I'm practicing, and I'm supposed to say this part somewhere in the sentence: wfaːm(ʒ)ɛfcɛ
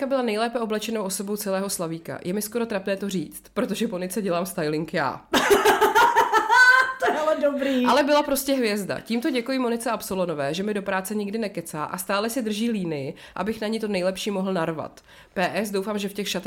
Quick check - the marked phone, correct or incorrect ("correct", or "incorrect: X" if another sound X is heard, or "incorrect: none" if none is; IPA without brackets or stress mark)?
correct